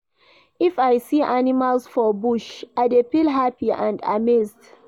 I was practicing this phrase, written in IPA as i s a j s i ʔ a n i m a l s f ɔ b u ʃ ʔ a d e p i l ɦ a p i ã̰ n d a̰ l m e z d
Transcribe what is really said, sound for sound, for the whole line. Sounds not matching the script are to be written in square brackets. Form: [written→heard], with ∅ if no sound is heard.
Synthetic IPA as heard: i [s→f] a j s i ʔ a n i m a l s f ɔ b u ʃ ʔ a d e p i l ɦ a p i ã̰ n d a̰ [l→∅] m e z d